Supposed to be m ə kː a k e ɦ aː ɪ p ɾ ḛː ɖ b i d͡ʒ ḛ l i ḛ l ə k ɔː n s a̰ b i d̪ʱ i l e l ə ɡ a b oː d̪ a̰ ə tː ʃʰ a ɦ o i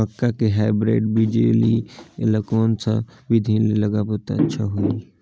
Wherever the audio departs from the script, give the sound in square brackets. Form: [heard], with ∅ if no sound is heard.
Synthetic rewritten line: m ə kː a k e ɦ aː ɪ [b] ɾ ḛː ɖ b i d͡ʒ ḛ l i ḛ l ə k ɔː n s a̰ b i d̪ʱ i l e l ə ɡ a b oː [t̪] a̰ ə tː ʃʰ a ɦ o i